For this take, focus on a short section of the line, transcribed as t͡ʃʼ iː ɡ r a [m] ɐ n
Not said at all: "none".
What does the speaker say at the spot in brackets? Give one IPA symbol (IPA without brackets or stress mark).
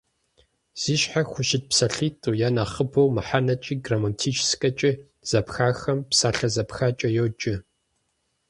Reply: m